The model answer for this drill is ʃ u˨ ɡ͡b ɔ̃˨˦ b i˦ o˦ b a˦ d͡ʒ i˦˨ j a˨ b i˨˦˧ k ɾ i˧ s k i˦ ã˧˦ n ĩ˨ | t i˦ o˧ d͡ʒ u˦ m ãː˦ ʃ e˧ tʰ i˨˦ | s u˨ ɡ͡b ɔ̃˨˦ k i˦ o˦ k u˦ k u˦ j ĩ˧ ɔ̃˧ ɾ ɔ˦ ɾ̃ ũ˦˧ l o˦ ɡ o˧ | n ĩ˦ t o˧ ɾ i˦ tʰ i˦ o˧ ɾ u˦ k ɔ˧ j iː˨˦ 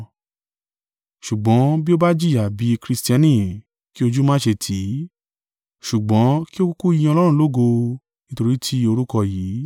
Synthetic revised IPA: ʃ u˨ ɡ͡b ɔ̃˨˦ b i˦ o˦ b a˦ d͡ʒ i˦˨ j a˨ b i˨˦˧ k ɾ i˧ s t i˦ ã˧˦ n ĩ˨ | k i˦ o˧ d͡ʒ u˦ m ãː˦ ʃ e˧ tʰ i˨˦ | ʃ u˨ ɡ͡b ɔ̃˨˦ k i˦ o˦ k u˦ k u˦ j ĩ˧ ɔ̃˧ l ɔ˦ ɾ̃ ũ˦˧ l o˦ ɡ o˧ | n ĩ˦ t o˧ ɾ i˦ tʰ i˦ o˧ ɾ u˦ k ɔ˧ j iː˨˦